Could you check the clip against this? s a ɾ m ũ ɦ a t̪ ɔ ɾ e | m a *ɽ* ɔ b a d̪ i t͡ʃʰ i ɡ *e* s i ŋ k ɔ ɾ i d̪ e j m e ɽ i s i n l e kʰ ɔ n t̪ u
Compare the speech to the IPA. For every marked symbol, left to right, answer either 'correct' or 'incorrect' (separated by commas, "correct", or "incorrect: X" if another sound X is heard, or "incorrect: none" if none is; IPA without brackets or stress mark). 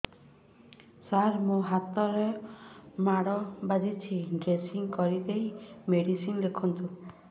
correct, correct